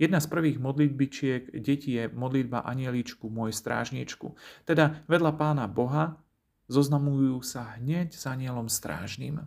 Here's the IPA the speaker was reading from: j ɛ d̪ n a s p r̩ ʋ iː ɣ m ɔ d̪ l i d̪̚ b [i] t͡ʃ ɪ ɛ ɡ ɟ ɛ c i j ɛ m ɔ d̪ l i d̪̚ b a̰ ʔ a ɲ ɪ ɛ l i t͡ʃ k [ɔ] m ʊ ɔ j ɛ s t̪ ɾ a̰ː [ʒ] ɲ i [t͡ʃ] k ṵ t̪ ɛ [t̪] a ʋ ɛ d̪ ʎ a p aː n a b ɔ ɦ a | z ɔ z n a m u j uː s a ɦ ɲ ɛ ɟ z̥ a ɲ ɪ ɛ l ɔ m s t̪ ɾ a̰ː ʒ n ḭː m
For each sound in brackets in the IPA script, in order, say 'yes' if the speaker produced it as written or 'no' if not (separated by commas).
yes, no, yes, yes, no